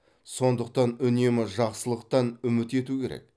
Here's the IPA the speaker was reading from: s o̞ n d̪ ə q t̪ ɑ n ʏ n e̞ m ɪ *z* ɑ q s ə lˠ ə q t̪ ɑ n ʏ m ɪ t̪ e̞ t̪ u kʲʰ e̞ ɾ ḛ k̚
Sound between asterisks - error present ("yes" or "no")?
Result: yes